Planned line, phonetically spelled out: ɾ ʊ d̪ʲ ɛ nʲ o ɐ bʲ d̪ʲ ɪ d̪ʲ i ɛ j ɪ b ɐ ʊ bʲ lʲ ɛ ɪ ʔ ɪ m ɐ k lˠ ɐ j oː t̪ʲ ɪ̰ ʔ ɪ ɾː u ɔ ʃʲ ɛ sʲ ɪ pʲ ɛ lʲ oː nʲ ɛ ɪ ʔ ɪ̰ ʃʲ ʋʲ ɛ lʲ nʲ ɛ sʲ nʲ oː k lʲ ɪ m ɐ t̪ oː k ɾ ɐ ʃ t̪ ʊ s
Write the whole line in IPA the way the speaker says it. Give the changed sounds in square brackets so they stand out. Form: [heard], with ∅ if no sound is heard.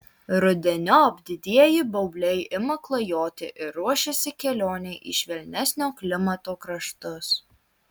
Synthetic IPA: ɾ ʊ d̪ʲ ɛ nʲ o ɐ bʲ d̪ʲ ɪ d̪ʲ i ɛ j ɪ b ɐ ʊ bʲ lʲ ɛ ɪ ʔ ɪ m ɐ k lˠ ɐ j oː t̪ʲ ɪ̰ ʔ ɪ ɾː u ɔ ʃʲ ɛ sʲ ɪ [kʲ] ɛ lʲ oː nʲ ɛ ɪ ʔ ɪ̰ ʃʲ ʋʲ ɛ lʲ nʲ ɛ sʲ nʲ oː k lʲ ɪ m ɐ t̪ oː k ɾ ɐ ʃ t̪ ʊ s